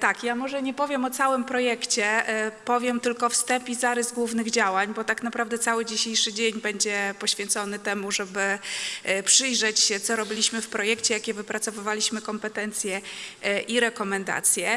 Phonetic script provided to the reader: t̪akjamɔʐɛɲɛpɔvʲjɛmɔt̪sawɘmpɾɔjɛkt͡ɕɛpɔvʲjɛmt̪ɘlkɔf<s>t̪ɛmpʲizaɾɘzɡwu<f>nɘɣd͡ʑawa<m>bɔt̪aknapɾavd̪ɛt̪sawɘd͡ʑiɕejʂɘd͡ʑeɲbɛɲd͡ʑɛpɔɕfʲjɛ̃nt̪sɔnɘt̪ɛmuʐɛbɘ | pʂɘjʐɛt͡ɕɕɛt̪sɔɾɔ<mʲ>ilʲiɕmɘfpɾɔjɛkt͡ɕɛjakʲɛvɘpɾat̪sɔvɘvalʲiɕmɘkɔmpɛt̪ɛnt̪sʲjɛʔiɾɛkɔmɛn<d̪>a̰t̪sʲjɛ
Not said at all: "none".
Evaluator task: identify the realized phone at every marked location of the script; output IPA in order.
s, v, ɲ, bʲ, d̪

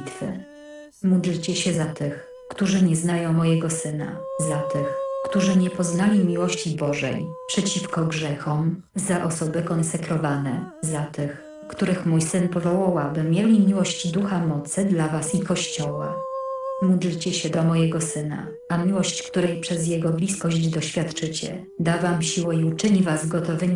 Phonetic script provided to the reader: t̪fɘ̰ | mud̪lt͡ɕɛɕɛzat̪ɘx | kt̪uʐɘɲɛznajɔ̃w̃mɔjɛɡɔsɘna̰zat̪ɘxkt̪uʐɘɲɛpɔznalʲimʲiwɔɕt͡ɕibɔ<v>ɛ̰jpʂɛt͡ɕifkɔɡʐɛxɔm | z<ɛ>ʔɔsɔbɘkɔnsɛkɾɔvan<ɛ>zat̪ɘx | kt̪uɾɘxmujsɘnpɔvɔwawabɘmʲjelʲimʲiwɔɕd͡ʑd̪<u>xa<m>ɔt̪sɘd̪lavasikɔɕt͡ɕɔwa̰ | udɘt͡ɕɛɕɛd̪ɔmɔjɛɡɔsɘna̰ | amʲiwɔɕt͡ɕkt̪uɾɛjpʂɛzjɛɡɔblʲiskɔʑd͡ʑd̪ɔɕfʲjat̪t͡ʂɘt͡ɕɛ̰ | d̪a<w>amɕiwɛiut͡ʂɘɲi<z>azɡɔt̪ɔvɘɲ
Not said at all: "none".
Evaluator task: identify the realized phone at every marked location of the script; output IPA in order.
ʐ, a, ɛ, u, m, v, v

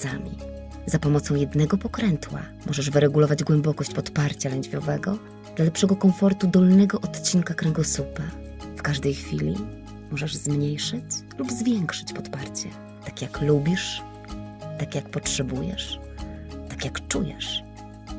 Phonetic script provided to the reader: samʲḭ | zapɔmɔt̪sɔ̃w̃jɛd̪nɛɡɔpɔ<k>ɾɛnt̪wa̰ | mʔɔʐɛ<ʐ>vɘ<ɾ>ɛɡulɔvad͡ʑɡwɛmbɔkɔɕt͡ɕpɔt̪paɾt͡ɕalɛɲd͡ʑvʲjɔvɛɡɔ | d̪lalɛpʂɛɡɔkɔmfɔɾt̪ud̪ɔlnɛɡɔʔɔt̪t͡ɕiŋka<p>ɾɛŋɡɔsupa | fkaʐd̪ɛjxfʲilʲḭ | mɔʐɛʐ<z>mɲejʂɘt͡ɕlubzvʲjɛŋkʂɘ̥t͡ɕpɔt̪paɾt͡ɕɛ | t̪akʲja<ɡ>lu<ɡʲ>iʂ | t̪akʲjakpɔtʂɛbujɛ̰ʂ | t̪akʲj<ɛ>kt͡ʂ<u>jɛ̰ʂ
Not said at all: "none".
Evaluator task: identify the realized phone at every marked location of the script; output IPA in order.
k, ʐ, ɾ, k, z, k, bʲ, a, u

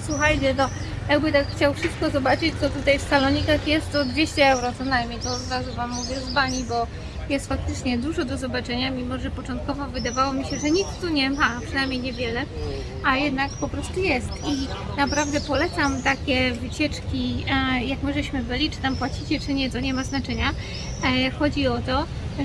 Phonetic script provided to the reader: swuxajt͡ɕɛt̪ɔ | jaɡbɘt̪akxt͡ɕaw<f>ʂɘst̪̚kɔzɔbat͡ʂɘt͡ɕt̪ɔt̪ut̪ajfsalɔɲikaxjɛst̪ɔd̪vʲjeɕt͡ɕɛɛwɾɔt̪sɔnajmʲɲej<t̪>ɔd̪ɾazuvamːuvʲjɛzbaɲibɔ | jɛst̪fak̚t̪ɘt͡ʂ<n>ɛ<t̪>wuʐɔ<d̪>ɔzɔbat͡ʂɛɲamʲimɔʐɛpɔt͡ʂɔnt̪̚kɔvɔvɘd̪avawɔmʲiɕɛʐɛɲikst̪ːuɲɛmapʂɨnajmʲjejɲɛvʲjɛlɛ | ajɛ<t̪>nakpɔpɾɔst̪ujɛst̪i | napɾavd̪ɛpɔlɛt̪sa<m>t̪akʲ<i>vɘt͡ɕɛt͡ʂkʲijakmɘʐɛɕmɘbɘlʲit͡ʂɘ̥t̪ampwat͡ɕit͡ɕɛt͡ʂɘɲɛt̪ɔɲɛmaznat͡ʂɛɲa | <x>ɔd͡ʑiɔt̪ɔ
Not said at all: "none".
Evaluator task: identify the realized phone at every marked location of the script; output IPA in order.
f, t̪, ɲ, d̪, d̪, d̪, m, ɛ, x

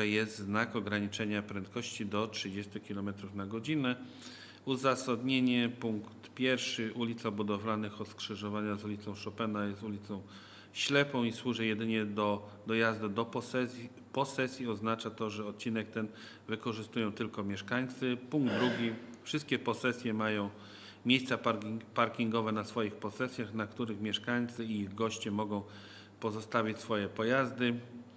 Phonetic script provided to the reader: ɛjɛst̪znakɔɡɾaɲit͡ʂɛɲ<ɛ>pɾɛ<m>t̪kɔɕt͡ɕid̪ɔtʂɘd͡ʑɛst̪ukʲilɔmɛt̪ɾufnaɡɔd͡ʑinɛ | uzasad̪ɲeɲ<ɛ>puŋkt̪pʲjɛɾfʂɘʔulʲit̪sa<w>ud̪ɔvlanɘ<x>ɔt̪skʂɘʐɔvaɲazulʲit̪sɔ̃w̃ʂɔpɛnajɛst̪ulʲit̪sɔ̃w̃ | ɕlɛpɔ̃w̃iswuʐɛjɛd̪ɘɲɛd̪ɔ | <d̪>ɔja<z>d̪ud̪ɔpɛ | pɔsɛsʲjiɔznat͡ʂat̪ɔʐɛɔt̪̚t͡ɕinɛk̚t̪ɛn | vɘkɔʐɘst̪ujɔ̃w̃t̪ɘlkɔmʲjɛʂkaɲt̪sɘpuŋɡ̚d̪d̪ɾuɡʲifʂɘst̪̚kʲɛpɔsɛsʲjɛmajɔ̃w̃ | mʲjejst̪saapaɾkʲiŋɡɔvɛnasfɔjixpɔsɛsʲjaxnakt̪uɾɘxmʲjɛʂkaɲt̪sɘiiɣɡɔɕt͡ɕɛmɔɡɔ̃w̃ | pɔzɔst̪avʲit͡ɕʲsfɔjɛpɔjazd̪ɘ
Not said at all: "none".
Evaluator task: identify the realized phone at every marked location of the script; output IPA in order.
a, n, ɛ, b, x, d̪, z

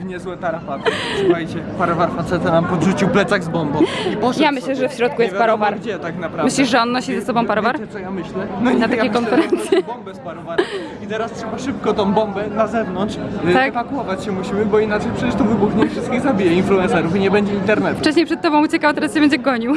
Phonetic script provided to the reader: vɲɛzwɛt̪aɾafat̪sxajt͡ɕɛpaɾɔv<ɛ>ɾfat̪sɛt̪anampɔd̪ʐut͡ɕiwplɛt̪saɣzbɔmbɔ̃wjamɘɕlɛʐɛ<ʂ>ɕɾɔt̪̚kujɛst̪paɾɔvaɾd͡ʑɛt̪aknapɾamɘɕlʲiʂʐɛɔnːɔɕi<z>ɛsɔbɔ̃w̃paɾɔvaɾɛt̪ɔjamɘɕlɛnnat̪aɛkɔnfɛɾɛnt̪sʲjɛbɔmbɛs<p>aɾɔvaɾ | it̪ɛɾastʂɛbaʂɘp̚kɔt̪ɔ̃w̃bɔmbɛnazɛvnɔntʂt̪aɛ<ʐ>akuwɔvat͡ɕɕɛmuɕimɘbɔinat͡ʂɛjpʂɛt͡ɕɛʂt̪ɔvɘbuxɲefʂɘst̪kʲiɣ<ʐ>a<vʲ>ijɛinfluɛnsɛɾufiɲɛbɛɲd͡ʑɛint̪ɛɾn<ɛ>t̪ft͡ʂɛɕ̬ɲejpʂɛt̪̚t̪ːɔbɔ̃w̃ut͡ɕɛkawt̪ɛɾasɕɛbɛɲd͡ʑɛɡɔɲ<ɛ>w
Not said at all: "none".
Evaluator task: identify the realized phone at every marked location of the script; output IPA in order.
a, f, z, p, v, z, bʲ, ɛ, i

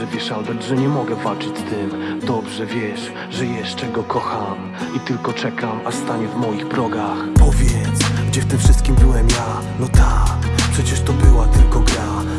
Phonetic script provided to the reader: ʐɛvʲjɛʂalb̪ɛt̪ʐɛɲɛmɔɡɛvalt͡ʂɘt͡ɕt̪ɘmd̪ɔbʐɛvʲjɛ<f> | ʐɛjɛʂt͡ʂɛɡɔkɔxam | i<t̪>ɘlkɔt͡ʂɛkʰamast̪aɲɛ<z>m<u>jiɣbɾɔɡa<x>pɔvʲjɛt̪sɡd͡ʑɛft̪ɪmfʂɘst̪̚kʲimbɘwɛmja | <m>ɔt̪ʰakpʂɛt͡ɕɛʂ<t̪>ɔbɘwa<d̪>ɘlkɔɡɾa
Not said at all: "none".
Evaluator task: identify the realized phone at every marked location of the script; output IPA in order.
ʂ, t̪, v, ɔ, x, n, t̪, t̪

